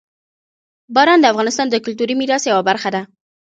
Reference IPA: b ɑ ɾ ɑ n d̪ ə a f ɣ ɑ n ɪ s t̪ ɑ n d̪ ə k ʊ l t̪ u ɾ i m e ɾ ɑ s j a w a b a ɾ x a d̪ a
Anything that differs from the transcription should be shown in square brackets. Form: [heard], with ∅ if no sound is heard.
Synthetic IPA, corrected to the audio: b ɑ ɾ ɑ n d̪ ə a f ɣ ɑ n ɪ s t̪ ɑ n d̪ ə k ʊ l t̪ u ɾ i m [i] ɾ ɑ s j a w a b a ɾ x a d̪ a